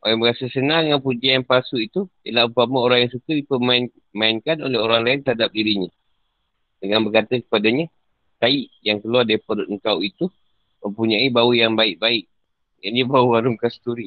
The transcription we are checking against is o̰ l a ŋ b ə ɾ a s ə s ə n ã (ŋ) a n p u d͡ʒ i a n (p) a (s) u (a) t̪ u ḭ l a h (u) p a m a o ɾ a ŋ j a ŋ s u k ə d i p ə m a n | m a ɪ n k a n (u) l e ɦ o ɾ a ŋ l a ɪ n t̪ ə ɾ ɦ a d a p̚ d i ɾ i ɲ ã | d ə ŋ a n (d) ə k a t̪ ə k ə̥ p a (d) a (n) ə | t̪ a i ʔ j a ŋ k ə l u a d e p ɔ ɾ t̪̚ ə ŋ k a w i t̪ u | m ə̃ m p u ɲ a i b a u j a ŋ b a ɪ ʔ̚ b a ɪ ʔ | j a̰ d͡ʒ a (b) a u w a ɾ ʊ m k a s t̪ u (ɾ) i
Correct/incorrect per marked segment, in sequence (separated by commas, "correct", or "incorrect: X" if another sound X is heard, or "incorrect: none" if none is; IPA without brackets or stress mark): correct, correct, correct, incorrect: i, correct, incorrect: o, incorrect: b, correct, incorrect: ɲ, correct, correct